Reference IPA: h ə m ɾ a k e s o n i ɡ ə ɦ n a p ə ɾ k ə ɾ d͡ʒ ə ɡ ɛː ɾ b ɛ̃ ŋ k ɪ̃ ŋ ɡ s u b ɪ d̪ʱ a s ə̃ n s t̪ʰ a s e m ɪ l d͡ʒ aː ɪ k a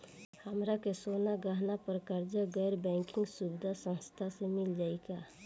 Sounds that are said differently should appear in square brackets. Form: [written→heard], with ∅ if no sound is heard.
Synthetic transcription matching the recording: h ə m ɾ a k e s o n [i→a] ɡ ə ɦ n a p ə ɾ k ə ɾ d͡ʒ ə ɡ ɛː ɾ b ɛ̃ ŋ k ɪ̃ ŋ ɡ s u b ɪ d̪ʱ a s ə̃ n s t̪ʰ a s e m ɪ l d͡ʒ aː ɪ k a